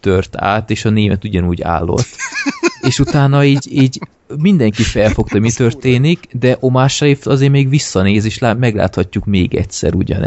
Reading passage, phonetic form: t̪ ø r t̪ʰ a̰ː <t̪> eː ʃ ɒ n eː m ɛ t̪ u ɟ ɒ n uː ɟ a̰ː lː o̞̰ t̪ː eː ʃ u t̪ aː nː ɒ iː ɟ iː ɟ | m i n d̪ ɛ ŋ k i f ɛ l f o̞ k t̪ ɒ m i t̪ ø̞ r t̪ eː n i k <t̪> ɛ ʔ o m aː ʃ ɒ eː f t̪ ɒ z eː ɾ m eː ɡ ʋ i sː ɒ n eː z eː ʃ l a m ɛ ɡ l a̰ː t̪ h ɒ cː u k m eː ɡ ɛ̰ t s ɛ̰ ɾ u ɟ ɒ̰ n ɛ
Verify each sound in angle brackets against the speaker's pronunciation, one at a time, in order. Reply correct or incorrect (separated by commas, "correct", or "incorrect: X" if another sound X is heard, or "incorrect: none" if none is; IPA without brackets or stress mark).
correct, incorrect: d̪